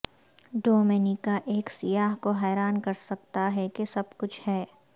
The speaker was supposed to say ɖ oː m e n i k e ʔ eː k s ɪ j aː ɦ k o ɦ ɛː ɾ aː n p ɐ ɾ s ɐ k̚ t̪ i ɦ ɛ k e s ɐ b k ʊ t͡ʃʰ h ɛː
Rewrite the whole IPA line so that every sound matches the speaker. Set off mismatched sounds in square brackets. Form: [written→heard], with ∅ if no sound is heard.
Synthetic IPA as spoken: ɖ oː m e n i k [e→a] ʔ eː k s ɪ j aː ɦ k o ɦ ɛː ɾ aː n [p→k] ɐ ɾ s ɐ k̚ t̪ [i→a] ɦ ɛ k e s ɐ b k ʊ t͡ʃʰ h ɛː